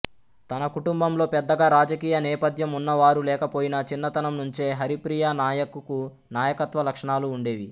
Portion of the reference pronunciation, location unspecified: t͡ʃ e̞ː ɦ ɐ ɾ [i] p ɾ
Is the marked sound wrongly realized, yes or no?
no